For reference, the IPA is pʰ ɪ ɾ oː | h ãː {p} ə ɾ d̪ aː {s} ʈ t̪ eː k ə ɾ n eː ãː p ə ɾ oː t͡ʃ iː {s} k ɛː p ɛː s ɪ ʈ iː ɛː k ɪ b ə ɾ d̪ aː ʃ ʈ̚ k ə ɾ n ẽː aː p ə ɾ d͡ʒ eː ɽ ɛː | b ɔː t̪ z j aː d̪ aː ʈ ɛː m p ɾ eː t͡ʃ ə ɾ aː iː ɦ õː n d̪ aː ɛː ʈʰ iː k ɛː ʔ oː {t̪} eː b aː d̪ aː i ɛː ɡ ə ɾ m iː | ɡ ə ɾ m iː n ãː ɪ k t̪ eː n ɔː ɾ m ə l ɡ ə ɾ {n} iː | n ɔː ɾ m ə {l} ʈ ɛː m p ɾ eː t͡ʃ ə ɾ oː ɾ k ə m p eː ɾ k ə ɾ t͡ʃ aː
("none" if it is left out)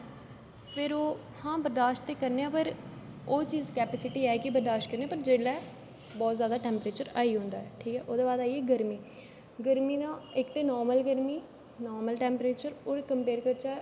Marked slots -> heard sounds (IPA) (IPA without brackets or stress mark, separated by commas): b, ʃ, z, d̪, m, l